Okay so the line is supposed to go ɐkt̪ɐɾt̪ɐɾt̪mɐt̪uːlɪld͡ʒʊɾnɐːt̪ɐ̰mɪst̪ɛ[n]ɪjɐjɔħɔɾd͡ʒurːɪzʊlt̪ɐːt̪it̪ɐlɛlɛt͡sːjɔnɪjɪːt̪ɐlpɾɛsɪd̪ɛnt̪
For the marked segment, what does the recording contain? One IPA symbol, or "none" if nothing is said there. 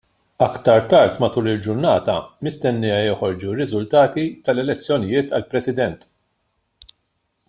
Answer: nː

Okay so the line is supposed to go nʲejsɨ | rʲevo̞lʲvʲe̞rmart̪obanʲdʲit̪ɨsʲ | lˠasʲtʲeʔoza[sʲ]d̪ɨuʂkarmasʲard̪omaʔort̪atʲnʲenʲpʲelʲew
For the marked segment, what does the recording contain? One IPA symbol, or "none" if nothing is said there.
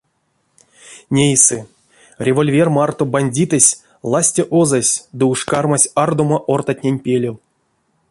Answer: sʲ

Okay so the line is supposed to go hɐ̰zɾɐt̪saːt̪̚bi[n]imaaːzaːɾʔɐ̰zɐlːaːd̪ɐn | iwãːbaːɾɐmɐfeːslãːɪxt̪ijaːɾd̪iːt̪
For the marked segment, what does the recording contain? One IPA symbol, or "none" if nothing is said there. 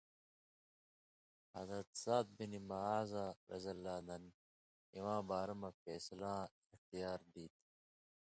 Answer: n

